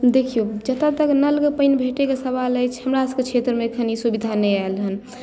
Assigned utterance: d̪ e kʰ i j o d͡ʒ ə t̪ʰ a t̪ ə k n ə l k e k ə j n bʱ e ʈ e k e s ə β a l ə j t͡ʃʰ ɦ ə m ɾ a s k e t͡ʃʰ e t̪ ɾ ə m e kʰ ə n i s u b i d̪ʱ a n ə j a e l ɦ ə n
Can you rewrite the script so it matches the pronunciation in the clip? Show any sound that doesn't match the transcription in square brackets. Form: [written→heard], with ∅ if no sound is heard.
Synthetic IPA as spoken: d̪ e kʰ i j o d͡ʒ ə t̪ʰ a t̪ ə k n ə l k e [k→p] ə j n bʱ e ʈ e k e s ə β a l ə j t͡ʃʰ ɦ ə m ɾ a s k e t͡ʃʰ e t̪ ɾ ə m e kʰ ə n i s u b i d̪ʱ a n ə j a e l ɦ ə n